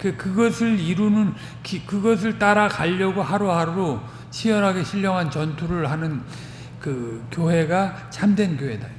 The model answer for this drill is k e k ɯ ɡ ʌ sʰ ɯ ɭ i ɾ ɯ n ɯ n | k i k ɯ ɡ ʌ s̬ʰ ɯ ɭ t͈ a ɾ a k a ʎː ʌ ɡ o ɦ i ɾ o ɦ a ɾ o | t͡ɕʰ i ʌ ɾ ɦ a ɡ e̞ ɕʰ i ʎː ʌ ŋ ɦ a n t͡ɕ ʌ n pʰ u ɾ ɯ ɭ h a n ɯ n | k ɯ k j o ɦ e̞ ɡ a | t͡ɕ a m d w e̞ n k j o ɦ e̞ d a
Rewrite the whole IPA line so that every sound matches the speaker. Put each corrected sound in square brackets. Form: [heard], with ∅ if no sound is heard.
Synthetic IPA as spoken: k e k ɯ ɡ ʌ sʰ ɯ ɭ i ɾ [u] n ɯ n | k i k ɯ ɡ ʌ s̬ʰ ɯ ɭ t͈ a ɾ a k a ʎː ʌ ɡ o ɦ [a] ɾ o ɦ a ɾ o | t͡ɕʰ i ʌ ɾ ɦ a ɡ e̞ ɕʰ i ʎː ʌ ŋ ɦ a n t͡ɕ ʌ n [tʰ] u ɾ ɯ ɭ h a n ɯ n | k ɯ k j o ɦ e̞ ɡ a | t͡ɕ a m d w e̞ n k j o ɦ e̞ d a